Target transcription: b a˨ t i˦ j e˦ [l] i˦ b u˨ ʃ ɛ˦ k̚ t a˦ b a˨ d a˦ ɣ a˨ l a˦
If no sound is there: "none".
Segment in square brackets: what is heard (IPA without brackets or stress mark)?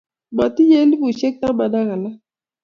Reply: l